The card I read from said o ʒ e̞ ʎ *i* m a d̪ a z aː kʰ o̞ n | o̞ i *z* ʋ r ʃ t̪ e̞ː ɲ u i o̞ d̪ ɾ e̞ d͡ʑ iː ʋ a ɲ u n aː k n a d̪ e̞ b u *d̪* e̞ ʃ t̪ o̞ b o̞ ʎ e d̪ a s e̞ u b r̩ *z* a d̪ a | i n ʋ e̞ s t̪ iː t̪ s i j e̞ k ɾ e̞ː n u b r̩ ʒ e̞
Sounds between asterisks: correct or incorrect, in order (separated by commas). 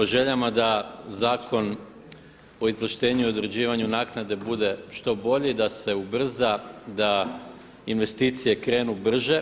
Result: incorrect, correct, correct, correct